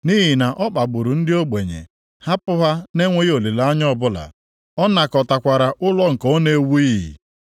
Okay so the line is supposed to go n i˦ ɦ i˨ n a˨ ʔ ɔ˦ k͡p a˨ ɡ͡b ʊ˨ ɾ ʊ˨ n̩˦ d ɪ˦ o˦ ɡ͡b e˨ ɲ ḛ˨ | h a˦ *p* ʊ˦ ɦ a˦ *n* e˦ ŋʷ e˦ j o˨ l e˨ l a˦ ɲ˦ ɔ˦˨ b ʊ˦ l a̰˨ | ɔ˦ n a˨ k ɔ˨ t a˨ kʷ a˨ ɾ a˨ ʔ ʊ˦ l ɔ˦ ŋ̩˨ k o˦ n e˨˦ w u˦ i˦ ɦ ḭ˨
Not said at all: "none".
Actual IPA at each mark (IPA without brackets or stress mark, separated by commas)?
p, n